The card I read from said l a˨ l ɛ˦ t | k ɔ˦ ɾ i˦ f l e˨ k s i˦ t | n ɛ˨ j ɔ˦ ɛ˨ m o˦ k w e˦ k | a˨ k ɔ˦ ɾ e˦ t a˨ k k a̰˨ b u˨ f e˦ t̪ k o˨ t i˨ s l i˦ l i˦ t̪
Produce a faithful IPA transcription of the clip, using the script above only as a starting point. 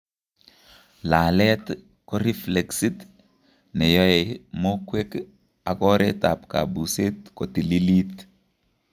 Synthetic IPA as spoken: l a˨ l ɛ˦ t | k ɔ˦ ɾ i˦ f l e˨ k s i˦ t | n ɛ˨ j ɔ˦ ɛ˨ m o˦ k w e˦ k | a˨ k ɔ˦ ɾ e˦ t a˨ p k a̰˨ b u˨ s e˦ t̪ k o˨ t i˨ l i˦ l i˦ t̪